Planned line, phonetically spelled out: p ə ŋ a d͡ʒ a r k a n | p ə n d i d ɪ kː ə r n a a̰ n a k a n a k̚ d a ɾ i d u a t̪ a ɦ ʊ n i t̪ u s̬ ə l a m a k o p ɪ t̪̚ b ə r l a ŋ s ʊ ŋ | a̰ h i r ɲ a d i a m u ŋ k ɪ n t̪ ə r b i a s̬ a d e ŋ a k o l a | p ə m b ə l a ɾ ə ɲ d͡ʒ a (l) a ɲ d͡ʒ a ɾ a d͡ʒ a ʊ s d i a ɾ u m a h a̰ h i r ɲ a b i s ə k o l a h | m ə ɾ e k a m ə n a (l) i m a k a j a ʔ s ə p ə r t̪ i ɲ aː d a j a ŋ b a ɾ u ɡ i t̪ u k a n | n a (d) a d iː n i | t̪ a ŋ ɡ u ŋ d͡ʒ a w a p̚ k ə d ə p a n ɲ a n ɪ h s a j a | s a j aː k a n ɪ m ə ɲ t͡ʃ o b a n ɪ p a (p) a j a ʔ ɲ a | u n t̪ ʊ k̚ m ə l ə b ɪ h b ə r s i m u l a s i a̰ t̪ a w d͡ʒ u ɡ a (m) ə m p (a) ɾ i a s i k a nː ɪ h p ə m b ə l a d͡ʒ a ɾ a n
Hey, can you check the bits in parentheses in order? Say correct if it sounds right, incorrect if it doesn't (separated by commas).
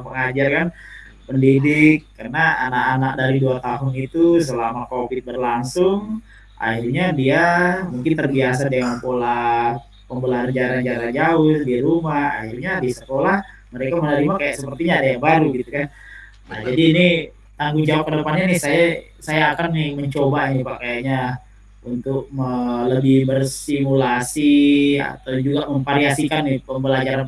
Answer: incorrect, incorrect, incorrect, incorrect, correct, correct